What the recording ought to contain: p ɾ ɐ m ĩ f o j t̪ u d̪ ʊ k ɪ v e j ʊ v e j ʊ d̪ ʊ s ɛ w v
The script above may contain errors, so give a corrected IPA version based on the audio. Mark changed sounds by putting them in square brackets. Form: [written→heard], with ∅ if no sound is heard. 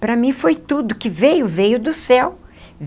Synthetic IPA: p ɾ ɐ m ĩ f o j t̪ u d̪ ʊ k ɪ v e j ʊ v e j ʊ d̪ ʊ s ɛ w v